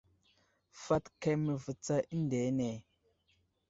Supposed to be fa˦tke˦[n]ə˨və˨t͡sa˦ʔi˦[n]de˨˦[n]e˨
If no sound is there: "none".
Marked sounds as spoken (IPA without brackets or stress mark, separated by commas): m, n, n